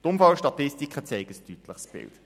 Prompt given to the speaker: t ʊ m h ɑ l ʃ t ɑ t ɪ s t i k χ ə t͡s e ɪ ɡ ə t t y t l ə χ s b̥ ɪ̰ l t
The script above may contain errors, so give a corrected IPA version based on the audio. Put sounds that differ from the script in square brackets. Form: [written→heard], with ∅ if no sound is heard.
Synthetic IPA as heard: t ʊ m [h→f] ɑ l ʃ t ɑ t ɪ s t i k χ ə t͡s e ɪ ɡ ə [t→s] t y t l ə χ s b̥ ɪ̰ l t